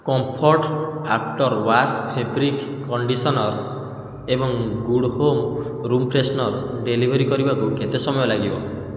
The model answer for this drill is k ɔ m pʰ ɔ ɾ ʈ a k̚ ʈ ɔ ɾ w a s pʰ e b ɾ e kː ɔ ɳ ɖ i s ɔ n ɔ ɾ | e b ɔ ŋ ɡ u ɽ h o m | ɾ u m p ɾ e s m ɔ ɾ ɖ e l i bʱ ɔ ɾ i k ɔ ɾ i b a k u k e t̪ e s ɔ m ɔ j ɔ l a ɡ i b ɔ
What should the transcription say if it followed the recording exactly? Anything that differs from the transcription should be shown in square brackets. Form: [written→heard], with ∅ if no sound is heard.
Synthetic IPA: k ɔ m pʰ ɔ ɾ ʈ a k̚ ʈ ɔ ɾ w a s pʰ e b ɾ [e→i] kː ɔ ɳ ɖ i s ɔ n ɔ ɾ | e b ɔ ŋ ɡ u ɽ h o m | ɾ u m p ɾ e s [m→n] ɔ ɾ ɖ e l i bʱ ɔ ɾ i k ɔ ɾ i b a k u k e t̪ e s ɔ m ɔ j ɔ l a ɡ i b ɔ